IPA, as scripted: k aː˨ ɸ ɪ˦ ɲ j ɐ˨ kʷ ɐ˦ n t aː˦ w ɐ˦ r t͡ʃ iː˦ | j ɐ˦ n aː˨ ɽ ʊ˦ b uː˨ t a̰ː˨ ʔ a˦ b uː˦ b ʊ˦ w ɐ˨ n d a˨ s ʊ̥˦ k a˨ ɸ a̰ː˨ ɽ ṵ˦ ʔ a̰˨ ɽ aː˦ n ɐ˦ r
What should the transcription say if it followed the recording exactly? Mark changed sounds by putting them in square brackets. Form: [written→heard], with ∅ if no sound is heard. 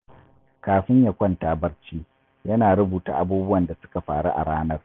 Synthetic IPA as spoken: k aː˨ ɸ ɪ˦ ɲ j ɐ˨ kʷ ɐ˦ n t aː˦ [w→b] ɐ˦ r t͡ʃ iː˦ | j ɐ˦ n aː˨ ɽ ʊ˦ b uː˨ t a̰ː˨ ʔ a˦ b uː˦ b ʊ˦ w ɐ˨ n d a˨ s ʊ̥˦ k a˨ ɸ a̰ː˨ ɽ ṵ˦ ʔ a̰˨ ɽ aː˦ n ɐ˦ r